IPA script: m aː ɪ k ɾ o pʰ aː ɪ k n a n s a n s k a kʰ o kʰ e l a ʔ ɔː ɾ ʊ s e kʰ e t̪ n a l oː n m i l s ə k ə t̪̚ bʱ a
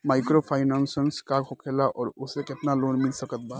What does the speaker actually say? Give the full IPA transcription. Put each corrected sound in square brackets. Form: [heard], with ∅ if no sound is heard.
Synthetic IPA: m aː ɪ k ɾ o pʰ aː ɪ [∅] n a n s [ə] n s k a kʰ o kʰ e l a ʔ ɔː ɾ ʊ s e [k] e t̪ n a l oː n m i l s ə k ə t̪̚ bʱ a